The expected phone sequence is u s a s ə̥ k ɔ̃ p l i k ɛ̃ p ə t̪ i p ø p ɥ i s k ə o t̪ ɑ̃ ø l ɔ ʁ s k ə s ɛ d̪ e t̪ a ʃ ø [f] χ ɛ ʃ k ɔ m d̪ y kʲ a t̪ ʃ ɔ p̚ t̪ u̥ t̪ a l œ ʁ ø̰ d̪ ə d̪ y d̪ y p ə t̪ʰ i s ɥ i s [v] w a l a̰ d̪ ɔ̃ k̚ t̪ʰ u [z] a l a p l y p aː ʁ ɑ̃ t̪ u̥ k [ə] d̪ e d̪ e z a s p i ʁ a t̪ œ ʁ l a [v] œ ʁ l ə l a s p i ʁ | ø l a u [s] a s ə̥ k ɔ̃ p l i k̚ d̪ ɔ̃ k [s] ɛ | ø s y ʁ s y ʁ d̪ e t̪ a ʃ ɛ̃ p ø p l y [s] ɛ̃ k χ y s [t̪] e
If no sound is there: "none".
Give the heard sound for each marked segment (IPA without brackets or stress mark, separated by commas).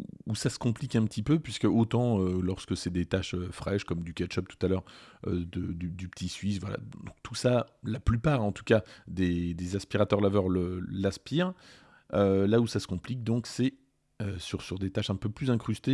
f, v, s, a, v, s, s, z, t̪